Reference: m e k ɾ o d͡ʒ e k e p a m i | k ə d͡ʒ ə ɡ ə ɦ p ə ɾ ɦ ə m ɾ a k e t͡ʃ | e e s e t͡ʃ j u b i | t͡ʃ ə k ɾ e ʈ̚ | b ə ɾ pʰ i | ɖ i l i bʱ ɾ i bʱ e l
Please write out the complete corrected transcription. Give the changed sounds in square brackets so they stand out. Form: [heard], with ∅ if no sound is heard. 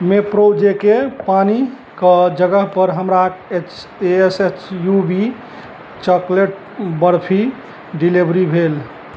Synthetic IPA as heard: m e [p] ɾ o d͡ʒ e k e p a [n] i | k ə d͡ʒ ə ɡ ə ɦ p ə ɾ ɦ ə m ɾ a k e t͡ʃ | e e s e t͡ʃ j u b i | t͡ʃ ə k [l] e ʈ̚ | b ə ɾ pʰ i | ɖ i l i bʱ ɾ i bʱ e l